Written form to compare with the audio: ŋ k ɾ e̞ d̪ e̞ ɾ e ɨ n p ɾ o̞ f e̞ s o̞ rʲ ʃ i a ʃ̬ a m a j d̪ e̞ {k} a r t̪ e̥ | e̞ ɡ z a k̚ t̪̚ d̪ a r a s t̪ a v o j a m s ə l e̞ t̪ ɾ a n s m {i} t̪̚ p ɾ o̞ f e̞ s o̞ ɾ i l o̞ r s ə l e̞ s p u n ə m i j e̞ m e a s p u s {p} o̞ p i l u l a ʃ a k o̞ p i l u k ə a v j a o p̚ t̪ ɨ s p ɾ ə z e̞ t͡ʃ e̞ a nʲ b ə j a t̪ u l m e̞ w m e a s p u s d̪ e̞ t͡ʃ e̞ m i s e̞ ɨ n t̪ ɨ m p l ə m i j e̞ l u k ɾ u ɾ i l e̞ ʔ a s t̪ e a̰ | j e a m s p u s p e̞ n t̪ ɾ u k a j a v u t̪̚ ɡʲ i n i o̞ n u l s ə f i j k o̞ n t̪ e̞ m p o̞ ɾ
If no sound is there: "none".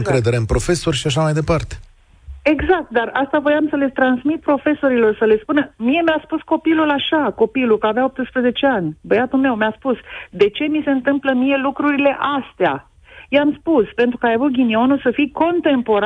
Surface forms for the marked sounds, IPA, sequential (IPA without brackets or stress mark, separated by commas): p, i, k